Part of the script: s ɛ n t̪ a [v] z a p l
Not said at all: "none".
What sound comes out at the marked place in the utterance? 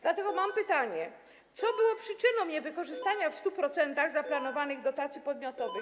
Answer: ɣ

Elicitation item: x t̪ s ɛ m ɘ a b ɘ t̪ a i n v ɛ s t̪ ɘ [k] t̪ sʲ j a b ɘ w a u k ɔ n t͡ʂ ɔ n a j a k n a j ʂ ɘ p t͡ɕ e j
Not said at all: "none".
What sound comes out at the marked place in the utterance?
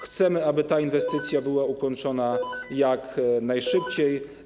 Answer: none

